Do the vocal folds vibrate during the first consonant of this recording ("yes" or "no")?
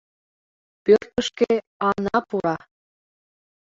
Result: no